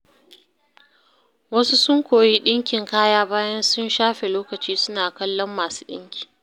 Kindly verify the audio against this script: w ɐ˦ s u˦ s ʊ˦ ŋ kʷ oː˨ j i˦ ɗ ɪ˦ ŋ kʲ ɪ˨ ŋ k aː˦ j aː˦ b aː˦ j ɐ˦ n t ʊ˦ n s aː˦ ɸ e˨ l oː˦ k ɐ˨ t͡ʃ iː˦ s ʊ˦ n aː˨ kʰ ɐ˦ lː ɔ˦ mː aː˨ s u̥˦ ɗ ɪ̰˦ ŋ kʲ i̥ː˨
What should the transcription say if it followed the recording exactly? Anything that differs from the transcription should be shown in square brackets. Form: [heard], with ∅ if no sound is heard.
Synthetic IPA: w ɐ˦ s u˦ s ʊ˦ ŋ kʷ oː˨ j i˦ ɗ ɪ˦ ŋ kʲ ɪ˨ ŋ k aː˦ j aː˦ b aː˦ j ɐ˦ n [s] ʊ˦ n [ʃ] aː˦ ɸ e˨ l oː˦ k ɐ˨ t͡ʃ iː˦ s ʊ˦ n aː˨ [k] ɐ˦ lː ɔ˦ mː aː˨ s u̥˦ ɗ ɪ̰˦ ŋ kʲ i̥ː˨